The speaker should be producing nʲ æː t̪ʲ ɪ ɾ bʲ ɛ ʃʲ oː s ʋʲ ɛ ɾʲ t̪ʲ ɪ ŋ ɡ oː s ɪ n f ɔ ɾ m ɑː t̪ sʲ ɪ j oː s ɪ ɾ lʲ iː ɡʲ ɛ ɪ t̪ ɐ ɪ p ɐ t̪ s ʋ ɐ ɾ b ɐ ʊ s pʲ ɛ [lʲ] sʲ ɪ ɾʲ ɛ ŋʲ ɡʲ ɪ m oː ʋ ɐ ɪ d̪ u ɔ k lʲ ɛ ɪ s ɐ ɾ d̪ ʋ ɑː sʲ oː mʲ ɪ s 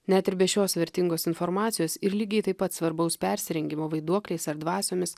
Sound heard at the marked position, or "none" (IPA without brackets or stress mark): ɾʲ